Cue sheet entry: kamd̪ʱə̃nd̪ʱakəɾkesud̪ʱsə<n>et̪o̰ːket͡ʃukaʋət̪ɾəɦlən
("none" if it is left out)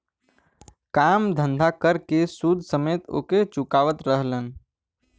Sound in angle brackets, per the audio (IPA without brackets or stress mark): m